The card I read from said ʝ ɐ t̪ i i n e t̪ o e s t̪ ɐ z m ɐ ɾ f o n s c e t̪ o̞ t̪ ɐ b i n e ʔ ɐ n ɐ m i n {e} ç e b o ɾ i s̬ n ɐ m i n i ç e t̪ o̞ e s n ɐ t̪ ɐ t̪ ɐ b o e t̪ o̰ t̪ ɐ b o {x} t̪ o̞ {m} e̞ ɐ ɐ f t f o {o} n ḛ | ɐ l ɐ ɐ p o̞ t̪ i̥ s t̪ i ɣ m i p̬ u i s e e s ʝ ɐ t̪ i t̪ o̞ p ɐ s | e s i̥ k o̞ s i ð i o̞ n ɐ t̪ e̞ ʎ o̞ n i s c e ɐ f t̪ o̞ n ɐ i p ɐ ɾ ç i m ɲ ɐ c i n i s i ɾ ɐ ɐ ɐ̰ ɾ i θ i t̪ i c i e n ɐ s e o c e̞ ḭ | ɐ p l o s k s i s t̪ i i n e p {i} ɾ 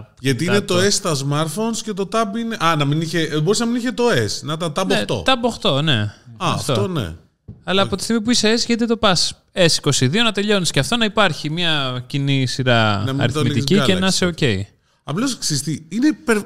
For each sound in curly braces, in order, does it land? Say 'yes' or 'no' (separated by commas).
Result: no, yes, no, yes, no